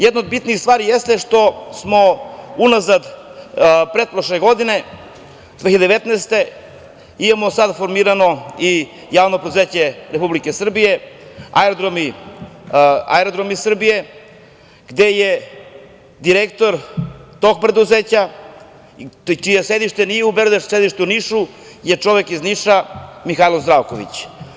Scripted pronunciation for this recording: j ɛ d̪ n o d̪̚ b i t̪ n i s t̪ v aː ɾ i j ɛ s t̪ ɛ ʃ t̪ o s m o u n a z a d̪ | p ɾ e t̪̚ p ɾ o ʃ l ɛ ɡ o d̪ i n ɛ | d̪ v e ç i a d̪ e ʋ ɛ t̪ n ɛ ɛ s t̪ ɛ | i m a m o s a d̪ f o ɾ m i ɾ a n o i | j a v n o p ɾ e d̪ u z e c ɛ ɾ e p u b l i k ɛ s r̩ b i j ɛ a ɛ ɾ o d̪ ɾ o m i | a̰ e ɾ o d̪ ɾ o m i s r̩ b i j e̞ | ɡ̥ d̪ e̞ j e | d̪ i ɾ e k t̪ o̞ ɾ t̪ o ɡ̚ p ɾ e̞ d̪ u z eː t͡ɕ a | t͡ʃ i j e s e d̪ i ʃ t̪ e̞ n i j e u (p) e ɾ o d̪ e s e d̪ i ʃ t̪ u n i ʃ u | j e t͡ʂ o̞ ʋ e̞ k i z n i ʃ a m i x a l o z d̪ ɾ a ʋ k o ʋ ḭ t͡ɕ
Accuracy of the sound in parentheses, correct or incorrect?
incorrect: b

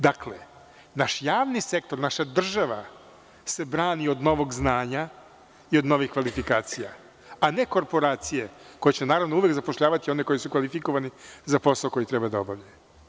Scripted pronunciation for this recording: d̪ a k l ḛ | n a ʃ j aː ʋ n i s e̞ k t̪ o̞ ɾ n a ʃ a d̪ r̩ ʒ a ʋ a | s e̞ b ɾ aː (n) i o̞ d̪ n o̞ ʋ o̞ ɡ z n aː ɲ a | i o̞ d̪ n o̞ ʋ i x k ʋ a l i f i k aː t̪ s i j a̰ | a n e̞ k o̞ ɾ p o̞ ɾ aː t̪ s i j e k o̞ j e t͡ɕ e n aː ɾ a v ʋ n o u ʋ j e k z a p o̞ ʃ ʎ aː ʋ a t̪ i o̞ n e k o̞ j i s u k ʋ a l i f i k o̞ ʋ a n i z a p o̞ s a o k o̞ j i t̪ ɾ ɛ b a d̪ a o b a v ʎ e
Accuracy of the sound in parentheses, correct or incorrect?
correct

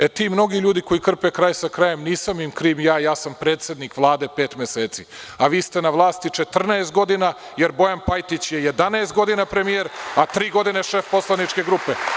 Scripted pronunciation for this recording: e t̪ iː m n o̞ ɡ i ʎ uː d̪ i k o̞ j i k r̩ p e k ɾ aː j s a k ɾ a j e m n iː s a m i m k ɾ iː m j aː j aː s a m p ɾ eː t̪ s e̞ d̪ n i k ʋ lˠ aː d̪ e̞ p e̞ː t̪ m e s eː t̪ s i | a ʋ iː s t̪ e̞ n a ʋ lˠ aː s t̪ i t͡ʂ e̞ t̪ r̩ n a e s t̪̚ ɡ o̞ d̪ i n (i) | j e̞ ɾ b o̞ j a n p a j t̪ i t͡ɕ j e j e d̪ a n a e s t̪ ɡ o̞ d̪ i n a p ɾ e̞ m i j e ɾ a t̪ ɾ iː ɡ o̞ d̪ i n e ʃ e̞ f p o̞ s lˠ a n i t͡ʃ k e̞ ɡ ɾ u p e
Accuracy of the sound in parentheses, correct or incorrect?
incorrect: a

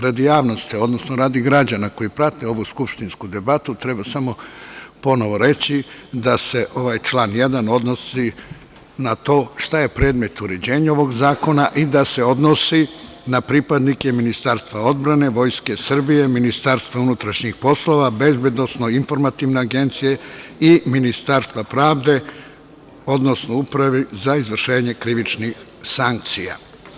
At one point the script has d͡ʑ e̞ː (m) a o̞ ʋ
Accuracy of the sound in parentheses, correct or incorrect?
incorrect: ɲ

